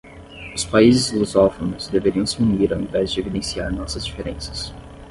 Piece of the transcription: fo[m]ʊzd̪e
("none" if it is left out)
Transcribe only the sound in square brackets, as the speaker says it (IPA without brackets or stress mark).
n